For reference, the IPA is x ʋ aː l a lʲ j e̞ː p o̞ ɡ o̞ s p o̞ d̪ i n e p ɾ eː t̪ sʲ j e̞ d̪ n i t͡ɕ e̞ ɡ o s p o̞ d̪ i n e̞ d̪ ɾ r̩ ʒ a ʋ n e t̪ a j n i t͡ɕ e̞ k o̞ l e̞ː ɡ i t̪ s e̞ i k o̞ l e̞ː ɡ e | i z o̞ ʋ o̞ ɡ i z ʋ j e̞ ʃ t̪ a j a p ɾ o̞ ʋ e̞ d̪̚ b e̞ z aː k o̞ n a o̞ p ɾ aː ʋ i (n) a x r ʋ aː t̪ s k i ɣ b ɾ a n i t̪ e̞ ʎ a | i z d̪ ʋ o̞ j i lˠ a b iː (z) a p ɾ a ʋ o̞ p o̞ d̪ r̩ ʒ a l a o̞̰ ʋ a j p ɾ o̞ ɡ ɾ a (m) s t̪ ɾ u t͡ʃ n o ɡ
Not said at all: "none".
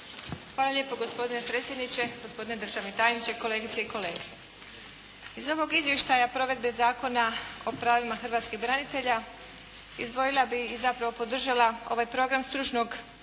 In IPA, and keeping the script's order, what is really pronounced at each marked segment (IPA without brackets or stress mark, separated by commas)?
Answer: m, z, m